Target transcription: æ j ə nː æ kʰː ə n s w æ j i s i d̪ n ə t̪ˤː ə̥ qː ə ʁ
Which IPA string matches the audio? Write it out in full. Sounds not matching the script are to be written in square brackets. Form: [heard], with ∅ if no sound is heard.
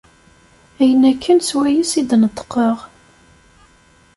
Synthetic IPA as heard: æ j ə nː æ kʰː ə n s w æ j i s i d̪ n ə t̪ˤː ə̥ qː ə ʁ

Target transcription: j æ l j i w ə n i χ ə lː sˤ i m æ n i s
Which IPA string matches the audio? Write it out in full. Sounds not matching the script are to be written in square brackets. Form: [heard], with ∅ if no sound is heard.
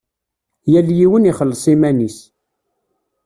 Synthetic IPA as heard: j æ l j i w ə n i χ ə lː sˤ i m æ n i s

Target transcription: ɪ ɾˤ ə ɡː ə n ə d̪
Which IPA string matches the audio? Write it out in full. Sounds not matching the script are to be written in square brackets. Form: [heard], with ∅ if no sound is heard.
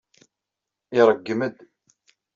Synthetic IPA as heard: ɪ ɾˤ ə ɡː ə [m] ə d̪

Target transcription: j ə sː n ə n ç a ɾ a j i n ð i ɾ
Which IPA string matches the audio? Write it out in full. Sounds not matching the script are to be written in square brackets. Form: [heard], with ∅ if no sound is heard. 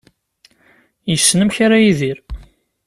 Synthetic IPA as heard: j ə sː n ə [m] ç a ɾ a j i [∅] ð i ɾ

